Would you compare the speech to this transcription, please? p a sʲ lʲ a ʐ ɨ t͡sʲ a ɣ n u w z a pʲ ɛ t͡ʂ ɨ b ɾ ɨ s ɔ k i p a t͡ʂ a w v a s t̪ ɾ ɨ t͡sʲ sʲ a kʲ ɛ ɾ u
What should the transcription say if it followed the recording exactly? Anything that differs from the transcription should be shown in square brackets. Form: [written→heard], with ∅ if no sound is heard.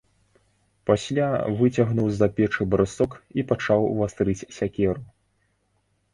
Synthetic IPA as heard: p a sʲ lʲ a [ʐ→v] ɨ t͡sʲ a ɣ n u w z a pʲ ɛ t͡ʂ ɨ b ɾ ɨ s ɔ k i p a t͡ʂ a w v a s t̪ ɾ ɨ t͡sʲ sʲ a kʲ ɛ ɾ u